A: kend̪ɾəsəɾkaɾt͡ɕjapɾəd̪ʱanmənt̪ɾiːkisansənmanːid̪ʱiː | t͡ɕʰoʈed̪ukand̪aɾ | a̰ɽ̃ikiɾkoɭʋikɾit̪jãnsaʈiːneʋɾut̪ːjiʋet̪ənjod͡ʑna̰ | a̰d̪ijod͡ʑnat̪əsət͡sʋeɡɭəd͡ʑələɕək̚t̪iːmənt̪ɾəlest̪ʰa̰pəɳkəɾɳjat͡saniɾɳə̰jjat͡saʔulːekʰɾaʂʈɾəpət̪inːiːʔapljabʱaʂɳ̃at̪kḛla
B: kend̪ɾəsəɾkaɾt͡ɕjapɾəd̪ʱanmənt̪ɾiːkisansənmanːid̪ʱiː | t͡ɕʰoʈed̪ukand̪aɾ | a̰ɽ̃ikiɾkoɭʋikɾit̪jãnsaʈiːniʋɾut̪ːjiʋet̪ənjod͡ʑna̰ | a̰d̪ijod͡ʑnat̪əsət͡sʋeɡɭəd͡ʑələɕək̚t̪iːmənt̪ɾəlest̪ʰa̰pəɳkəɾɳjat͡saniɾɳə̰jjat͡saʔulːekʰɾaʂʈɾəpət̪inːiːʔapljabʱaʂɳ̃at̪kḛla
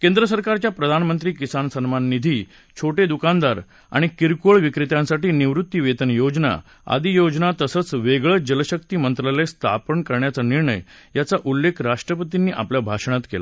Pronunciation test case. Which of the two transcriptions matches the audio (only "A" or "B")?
B